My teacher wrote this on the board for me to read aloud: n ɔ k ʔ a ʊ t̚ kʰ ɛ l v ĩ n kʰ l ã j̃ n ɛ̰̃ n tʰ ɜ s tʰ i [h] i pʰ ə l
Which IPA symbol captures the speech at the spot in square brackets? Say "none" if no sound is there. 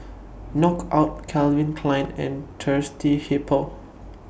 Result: h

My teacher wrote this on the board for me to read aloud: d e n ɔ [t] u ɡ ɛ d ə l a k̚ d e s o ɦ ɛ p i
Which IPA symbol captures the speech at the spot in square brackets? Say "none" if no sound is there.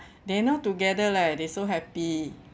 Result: t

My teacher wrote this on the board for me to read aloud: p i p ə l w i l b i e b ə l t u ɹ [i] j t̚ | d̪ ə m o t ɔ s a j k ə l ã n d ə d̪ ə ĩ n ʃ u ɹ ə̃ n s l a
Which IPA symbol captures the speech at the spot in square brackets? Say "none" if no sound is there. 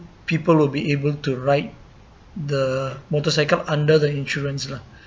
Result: a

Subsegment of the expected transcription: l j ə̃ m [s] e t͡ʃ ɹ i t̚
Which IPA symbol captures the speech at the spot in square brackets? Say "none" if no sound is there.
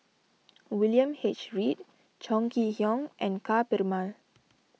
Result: h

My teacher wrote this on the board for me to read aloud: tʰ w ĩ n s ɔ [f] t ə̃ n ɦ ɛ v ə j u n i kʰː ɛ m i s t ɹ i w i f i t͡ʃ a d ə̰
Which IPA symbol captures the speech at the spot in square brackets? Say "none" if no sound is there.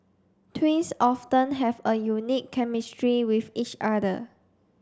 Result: f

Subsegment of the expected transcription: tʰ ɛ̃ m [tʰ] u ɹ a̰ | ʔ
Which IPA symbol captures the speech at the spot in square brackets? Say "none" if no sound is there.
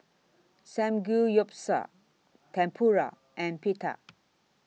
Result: pʰ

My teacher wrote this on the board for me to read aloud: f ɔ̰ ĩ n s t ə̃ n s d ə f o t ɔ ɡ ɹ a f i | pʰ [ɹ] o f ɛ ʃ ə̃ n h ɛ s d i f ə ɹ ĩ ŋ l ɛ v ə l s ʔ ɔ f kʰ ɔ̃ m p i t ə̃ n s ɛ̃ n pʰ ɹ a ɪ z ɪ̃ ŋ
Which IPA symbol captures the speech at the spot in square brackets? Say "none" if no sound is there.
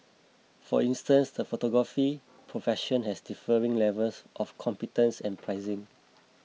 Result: ɹ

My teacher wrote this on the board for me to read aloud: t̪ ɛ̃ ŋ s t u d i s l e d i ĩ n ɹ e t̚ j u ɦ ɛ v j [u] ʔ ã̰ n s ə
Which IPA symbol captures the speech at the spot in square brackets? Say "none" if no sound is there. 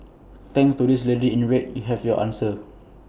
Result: ɔ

